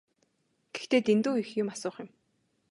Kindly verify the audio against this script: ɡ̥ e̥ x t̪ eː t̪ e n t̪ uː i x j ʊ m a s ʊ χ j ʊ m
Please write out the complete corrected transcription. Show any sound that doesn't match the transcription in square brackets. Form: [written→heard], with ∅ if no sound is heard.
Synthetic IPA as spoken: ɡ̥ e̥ x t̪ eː t̪ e n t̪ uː i x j ʊ m a s [ʊ→ʊː] χ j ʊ m